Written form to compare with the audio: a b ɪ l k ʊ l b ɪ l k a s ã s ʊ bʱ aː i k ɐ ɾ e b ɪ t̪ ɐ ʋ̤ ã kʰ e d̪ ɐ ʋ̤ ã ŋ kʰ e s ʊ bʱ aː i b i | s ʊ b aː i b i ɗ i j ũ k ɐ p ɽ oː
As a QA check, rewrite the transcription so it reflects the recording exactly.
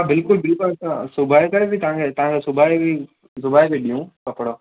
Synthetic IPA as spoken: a b ɪ l k ʊ l b ɪ l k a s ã s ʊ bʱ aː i k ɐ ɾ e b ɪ t̪ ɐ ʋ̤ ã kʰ e t̪ ɐ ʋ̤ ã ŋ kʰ e s ʊ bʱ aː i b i | s ʊ b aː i b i ɗ i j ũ k ɐ p ɽ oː